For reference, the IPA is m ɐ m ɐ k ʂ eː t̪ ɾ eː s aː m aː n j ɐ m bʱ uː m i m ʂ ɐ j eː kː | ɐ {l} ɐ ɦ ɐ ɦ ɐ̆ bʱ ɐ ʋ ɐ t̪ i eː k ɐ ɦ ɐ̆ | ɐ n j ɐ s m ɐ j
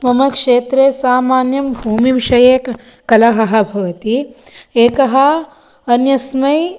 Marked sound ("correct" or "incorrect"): correct